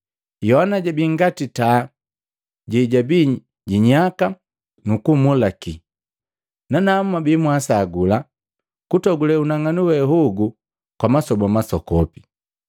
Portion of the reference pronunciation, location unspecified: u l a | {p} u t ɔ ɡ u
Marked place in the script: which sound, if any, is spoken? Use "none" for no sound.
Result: k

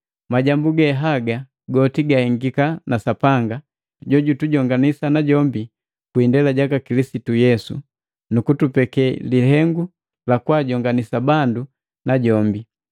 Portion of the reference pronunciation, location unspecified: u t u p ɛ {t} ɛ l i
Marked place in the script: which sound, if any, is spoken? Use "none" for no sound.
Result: k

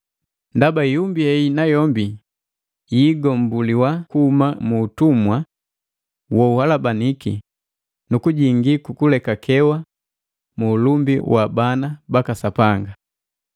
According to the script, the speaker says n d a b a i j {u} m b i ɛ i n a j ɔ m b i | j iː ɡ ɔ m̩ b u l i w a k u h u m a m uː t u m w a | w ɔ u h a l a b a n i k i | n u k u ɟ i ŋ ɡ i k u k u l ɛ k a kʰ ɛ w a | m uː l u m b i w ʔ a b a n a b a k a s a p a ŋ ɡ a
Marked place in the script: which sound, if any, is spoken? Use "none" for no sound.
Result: u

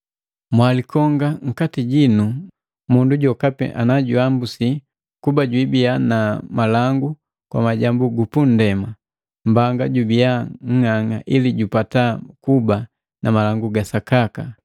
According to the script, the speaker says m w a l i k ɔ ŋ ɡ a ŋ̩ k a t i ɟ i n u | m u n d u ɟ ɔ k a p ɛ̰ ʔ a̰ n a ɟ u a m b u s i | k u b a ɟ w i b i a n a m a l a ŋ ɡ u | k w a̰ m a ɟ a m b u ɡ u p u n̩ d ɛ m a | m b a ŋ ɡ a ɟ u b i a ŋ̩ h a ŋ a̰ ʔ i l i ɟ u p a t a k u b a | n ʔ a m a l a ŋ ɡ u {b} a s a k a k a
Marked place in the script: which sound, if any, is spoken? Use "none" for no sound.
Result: ɡ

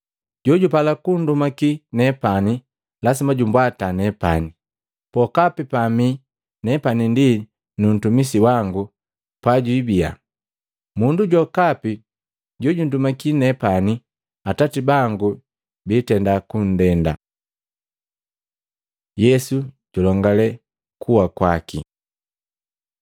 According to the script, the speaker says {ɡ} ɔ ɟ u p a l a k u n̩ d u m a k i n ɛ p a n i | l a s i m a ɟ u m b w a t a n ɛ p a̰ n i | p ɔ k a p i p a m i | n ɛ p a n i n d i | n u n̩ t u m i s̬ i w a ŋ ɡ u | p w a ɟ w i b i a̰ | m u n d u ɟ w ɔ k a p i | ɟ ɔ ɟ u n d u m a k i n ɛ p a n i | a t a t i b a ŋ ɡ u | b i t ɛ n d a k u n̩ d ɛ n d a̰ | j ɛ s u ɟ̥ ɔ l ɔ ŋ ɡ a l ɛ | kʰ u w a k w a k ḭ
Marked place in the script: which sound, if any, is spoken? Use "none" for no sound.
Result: ɟ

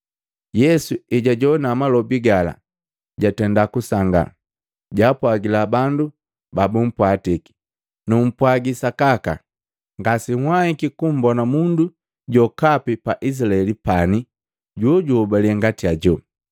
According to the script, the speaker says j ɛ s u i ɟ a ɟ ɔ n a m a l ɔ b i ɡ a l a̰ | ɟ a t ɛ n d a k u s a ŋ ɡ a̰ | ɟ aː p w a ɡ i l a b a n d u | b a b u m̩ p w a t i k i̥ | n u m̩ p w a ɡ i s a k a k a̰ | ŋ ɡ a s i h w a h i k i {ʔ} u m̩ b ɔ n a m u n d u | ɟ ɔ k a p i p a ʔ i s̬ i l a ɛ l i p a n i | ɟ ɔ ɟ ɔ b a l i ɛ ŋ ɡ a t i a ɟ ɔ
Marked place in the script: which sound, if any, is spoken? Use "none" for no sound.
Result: k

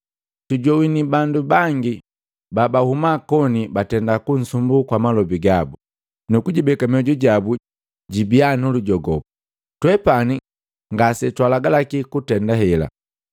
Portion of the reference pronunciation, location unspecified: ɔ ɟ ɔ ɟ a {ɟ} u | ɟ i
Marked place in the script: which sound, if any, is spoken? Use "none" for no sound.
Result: b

